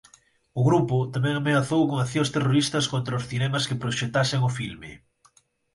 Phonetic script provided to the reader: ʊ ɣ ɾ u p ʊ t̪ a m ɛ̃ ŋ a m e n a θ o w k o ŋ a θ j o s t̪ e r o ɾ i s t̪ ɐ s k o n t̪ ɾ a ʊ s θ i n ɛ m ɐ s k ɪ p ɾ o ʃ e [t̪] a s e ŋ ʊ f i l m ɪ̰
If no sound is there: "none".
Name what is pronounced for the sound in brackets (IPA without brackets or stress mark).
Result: t̪